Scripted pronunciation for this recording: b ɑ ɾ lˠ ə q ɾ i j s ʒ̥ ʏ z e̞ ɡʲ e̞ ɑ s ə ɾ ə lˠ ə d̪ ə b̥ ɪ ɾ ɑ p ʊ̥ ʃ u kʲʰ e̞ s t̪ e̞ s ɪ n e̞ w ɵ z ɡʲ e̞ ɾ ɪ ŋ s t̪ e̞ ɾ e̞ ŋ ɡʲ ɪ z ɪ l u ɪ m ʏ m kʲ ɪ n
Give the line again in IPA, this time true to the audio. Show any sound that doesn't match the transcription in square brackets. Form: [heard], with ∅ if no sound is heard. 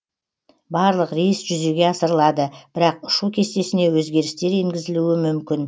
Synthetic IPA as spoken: b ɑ ɾ lˠ ə q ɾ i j s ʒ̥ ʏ z e̞ ɡʲ e̞ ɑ s ə ɾ ə lˠ [ɑ] d̪ ə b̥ ɪ ɾ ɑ [q] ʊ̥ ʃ u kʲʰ e̞ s t̪ e̞ s ɪ n e̞ w ɵ z ɡʲ e̞ ɾ ɪ [∅] s t̪ e̞ ɾ e̞ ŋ ɡʲ ɪ z ɪ l u ɪ m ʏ m kʲ ɪ n

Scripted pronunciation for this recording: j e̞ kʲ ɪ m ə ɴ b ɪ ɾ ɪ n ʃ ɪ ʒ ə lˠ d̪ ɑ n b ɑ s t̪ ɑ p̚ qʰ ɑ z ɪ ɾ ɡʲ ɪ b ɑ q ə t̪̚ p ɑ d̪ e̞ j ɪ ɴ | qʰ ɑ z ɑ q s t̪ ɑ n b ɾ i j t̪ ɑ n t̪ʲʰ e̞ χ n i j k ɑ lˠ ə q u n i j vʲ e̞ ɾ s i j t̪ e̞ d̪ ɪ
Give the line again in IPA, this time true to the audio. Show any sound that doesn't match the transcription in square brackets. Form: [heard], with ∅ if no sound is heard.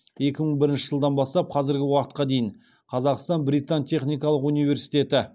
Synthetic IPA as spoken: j e̞ kʲ ɪ m ə ɴ b ɪ ɾ ɪ n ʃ ɪ ʒ ə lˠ d̪ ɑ n b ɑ s t̪ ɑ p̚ qʰ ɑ z ɪ ɾ ɡʲ ɪ [w] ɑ q ə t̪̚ [q] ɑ d̪ e̞ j ɪ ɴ | qʰ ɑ z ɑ q s t̪ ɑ n b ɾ i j t̪ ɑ n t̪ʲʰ e̞ χ n i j k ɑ lˠ ə q u n i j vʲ e̞ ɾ s i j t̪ e̞ [t̪] ɪ

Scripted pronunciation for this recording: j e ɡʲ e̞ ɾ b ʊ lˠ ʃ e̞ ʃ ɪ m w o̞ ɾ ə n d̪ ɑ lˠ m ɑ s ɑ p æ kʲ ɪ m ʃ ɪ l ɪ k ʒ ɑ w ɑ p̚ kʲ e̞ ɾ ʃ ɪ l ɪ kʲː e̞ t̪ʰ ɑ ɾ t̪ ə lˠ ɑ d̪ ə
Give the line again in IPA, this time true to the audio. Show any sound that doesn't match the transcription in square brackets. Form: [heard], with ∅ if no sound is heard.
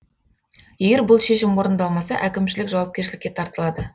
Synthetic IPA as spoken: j e ɡʲ e̞ ɾ b ʊ lˠ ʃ e̞ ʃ ɪ m w o̞ ɾ ə n d̪ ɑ lˠ m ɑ s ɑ [ʔ] æ kʲ ɪ m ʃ ɪ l ɪ k ʒ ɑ w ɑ p̚ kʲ e̞ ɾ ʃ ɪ l ɪ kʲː e̞ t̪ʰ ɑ ɾ t̪ ə lˠ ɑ d̪ ə

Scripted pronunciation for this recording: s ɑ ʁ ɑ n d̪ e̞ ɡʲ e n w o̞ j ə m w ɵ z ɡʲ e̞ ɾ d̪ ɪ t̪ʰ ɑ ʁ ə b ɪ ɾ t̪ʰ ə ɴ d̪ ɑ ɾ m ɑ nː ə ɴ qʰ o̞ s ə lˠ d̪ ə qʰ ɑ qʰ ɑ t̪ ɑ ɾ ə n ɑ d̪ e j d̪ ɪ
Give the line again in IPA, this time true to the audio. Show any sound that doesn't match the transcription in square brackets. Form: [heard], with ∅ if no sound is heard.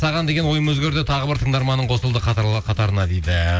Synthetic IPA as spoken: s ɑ ʁ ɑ n d̪ e̞ ɡʲ e n w o̞ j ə m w ɵ z ɡʲ e̞ ɾ d̪ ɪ t̪ʰ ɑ ʁ ə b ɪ ɾ t̪ʰ ə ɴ d̪ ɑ ɾ m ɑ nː ə ɴ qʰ o̞ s ə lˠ d̪ ə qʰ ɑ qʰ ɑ t̪ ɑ ɾ ə n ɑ d̪ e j d̪ ɪ

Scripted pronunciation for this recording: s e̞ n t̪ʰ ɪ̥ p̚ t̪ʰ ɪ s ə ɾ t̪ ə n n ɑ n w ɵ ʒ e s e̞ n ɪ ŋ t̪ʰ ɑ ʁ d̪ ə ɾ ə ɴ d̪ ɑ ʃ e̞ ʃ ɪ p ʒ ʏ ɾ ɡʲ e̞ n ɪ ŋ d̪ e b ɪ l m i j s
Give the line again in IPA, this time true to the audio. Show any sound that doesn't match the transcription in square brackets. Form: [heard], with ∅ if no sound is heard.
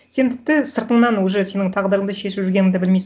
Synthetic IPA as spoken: s e̞ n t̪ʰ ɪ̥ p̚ [t̪] ɪ s ə ɾ t̪ ə [ɴ] n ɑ n w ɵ ʒ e s e̞ n ɪ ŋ t̪ʰ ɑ ʁ d̪ ə ɾ ə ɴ d̪ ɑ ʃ e̞ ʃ ɪ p ʒ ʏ ɾ ɡʲ e̞ n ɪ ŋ d̪ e b ɪ l m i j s

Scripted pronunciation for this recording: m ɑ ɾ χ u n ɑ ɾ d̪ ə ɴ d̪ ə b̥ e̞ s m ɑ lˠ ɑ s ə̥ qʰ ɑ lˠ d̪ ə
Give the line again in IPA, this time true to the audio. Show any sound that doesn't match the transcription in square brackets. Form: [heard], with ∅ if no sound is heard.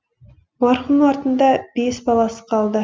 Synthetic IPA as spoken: m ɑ ɾ χ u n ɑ ɾ [t̪] ə [n] d̪ [ɑ] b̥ e̞ s [b] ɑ lˠ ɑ s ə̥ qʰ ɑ lˠ d̪ ə

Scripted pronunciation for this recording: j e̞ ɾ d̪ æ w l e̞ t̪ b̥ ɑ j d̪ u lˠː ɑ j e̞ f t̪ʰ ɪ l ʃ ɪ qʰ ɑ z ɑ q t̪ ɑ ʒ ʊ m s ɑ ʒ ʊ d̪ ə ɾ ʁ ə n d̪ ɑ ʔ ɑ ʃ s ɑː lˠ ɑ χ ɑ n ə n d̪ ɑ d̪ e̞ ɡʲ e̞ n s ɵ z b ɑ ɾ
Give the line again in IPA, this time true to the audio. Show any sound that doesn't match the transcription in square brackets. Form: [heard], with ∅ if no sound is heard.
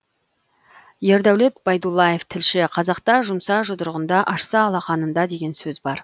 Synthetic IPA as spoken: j e̞ ɾ d̪ æ w l e̞ t̪ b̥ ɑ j d̪ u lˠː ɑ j e̞ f t̪ʰ ɪ l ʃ ɪ qʰ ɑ z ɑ q t̪ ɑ ʒ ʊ m s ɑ ʒ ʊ d̪ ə ɾ ʁ ə n d̪ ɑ ʔ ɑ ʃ s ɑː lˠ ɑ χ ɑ n ə n d̪ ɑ d̪ e̞ ɡʲ e̞ n s ɵ z b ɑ ɾ

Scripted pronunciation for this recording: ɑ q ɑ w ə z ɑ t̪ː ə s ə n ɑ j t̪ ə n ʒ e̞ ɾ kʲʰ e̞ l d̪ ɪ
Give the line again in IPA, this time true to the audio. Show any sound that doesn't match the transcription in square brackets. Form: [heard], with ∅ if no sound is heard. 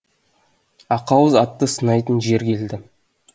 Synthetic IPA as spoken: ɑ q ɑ w ə z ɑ t̪ː ə s ə n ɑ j t̪ ə n ʒ e̞ ɾ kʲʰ e̞ l d̪ ɪ

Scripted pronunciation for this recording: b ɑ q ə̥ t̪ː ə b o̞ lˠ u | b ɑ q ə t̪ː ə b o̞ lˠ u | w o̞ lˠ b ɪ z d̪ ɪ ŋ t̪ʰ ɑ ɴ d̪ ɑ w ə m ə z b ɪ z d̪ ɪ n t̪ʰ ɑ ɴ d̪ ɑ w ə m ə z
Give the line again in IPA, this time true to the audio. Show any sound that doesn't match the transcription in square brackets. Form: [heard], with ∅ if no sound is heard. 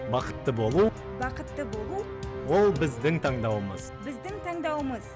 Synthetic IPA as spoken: b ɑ q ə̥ t̪ː ə b o̞ lˠ u | b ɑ q ə t̪ː ə b o̞ lˠ u | w o̞ lˠ b ɪ z d̪ ɪ ŋ t̪ʰ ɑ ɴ d̪ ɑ w ə m ə z b ɪ z d̪ ɪ [ŋ] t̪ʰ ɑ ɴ d̪ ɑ w ə m ə z

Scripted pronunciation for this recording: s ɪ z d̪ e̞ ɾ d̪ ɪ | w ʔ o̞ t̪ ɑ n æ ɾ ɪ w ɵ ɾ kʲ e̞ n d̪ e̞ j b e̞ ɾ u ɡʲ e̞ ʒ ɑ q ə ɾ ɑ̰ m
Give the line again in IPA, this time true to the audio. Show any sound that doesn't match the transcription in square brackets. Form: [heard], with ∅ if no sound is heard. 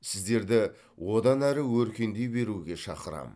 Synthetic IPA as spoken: s ɪ z d̪ e̞ ɾ d̪ ɪ | w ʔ o̞ [d̪] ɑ n æ ɾ ɪ w ɵ ɾ kʲ e̞ n d̪ e̞ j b e̞ ɾ u ɡʲ e̞ [ʃ] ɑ q ə ɾ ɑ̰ m

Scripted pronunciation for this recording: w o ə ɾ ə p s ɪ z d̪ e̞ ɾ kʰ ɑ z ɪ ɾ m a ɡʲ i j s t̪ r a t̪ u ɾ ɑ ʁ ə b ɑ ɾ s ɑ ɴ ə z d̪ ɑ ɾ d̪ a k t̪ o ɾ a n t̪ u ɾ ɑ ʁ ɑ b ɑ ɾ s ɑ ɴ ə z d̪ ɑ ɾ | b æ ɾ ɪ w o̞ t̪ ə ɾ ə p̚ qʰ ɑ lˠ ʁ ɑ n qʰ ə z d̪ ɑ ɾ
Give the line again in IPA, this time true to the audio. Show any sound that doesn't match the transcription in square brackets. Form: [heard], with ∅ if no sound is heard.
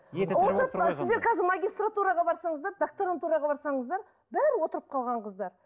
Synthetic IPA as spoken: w o ə ɾ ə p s ɪ z d̪ e̞ ɾ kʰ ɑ z ɪ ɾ m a ɡʲ i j s t̪ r a t̪ u ɾ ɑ ʁ [ɑ] b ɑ ɾ s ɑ ɴ ə z d̪ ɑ ɾ d̪ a k t̪ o ɾ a n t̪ u ɾ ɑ ʁ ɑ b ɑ ɾ s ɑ ɴ ə z d̪ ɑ ɾ | b æ ɾ ɪ w o̞ t̪ ə ɾ ə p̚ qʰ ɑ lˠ ʁ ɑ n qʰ ə z d̪ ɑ ɾ

